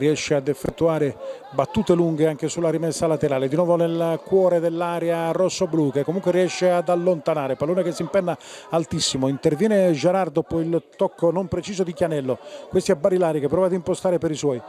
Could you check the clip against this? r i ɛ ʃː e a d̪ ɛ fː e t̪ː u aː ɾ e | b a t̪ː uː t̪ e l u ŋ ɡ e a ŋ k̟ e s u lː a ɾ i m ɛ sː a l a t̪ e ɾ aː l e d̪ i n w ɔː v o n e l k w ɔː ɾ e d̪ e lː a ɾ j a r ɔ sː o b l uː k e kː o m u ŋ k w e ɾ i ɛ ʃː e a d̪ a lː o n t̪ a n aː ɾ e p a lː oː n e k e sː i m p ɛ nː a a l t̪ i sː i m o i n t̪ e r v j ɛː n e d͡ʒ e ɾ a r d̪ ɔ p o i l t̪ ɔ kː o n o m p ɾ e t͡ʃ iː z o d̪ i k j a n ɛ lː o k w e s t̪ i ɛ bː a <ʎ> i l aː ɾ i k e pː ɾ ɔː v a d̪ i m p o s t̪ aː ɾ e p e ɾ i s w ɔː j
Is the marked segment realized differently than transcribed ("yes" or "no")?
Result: yes